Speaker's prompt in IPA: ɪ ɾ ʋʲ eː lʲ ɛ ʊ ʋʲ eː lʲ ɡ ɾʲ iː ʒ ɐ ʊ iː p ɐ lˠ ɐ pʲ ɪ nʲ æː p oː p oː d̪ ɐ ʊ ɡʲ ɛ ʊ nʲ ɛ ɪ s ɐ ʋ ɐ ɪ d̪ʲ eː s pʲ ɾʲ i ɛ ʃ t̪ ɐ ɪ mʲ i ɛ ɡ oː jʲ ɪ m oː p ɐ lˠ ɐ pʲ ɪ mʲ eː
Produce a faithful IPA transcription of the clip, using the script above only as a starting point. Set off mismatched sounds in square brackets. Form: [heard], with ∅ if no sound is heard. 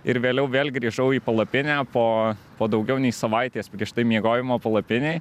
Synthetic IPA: ɪ ɾ ʋʲ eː lʲ ɛ ʊ ʋʲ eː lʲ ɡ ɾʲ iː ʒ ɐ ʊ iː p ɐ lˠ ɐ pʲ ɪ nʲ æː p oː p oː d̪ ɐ ʊ ɡʲ ɛ ʊ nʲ ɛ ɪ s ɐ ʋ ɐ ɪ [t̪ʲ] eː s pʲ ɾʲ i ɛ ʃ t̪ ɐ ɪ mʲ i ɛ ɡ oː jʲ ɪ m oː p ɐ lˠ ɐ pʲ ɪ [nʲ] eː